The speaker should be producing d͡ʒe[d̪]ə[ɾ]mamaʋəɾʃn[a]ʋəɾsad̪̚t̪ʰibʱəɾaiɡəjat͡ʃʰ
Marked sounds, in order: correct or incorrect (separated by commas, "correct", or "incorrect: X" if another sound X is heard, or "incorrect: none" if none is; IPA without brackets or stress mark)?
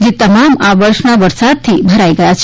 incorrect: t̪, incorrect: none, correct